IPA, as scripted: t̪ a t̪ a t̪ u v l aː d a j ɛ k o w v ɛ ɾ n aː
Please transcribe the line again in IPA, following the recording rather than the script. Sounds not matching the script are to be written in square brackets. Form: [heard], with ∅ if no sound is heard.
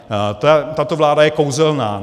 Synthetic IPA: t̪ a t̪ a t̪ [o] v l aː d a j ɛ k o w [z] ɛ [l] n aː